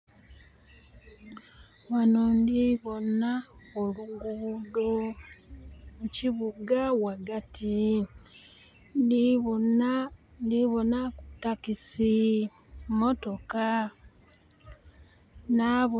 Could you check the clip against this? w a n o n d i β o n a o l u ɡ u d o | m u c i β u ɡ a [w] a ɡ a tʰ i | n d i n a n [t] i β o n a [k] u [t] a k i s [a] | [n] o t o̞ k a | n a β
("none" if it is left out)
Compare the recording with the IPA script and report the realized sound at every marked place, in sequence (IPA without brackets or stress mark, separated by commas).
w, d, k, t, i, m